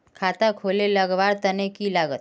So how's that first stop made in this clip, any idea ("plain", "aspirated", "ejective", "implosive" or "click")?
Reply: aspirated